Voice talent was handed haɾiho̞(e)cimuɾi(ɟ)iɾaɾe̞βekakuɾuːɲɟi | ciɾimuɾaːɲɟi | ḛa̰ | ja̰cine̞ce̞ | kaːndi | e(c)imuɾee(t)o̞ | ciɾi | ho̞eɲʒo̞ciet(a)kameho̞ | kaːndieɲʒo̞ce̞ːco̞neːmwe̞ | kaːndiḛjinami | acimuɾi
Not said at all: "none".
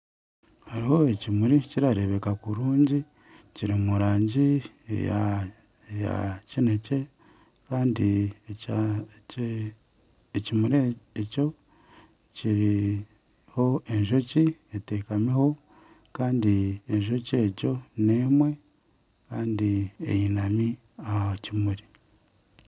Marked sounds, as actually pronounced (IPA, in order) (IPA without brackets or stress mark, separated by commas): e, c, c, c, e